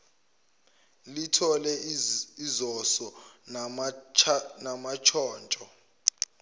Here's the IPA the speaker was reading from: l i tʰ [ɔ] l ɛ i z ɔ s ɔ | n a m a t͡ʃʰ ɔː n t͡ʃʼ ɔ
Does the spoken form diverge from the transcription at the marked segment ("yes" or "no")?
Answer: no